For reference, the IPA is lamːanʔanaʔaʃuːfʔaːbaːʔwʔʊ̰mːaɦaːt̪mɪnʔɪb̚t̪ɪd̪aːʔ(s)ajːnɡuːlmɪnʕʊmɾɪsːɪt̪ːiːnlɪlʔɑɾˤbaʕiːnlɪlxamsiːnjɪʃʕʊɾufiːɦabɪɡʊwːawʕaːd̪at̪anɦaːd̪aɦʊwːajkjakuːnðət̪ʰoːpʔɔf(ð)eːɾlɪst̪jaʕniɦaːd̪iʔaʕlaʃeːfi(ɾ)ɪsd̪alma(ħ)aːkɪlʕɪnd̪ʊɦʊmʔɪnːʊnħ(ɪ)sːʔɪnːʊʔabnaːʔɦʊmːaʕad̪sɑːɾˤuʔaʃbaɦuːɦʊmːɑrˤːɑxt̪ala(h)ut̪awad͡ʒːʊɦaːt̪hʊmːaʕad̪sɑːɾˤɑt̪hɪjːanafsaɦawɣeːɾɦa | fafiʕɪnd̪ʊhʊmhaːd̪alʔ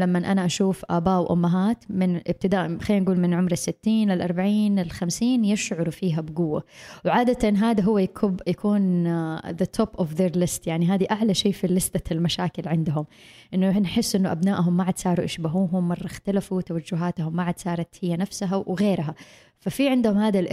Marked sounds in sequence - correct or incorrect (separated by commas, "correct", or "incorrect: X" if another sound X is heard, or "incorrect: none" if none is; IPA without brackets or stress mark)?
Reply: incorrect: x, correct, incorrect: l, incorrect: ʃ, correct, incorrect: f